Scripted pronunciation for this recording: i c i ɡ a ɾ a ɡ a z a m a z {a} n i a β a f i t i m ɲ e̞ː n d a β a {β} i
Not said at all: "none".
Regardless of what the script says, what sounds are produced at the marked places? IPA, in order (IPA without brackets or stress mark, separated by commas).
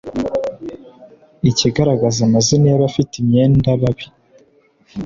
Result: i, β